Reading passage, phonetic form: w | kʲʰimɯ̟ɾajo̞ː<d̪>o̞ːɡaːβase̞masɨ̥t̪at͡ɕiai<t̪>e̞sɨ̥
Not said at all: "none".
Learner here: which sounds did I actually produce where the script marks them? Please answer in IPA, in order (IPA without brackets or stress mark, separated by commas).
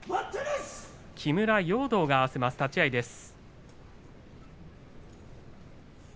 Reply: d̪, d̪